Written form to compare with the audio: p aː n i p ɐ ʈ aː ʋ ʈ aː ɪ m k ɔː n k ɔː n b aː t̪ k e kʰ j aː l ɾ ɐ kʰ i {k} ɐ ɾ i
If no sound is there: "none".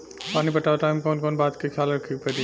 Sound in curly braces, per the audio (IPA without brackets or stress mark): p